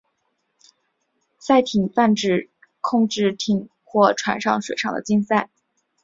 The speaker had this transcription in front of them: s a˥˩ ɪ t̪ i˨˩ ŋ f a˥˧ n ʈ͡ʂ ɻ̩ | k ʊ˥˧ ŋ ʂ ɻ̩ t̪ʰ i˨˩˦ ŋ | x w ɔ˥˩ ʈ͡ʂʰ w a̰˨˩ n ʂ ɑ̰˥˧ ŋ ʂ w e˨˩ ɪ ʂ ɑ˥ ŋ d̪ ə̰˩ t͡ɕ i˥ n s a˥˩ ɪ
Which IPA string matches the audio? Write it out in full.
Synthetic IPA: s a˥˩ ɪ t̪ʰ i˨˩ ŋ f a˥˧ n ʈ͡ʂ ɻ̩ | kʰ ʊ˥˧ ŋ ʈ͡ʂ ɻ̩ t̪ʰ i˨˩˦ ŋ | x w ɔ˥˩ ʈ͡ʂʰ w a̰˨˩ n ʂ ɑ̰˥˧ ŋ ʂ w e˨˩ ɪ ʂ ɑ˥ ŋ d̪ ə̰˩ t͡ɕ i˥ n s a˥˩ ɪ